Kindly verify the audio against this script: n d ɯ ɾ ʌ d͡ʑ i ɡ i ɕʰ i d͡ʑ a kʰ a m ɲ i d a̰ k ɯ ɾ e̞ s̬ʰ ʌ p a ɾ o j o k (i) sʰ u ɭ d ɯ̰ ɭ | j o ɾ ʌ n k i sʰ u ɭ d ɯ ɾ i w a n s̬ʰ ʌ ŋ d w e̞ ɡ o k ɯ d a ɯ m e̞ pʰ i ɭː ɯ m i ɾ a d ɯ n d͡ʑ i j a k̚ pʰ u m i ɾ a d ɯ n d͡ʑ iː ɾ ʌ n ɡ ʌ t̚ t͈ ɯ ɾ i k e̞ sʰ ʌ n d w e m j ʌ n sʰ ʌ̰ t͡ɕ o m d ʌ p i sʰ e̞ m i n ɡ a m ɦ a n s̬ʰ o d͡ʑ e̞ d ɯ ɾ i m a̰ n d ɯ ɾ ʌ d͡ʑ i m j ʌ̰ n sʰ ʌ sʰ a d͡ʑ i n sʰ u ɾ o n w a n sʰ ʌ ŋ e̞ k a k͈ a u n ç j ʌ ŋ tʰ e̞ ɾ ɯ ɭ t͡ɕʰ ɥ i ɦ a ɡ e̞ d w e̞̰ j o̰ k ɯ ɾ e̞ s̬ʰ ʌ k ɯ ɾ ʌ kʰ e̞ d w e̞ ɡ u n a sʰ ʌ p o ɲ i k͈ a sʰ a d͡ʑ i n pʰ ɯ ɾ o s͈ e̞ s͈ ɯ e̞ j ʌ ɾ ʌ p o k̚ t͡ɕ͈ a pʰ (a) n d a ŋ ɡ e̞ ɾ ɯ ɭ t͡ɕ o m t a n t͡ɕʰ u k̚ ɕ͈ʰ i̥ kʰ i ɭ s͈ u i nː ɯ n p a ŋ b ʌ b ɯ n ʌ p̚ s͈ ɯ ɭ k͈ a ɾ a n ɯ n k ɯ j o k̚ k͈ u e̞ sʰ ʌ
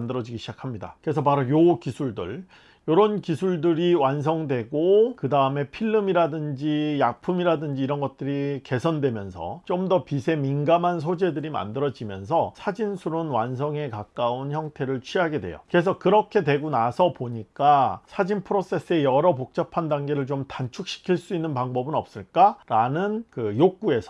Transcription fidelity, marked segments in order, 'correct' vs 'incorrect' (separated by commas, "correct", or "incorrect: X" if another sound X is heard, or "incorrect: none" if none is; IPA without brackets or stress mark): correct, correct